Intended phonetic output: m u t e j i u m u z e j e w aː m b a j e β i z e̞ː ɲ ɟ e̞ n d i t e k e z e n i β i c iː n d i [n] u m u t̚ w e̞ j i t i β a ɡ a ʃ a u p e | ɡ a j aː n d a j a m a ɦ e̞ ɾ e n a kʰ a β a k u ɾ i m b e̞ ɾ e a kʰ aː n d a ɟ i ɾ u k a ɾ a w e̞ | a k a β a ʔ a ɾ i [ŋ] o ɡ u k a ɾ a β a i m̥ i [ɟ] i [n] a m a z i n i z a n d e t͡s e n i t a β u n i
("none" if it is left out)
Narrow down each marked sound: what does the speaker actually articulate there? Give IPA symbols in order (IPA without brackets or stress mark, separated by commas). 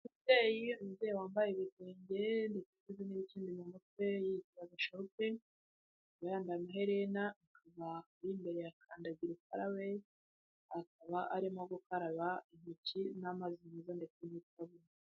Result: m, m, c, n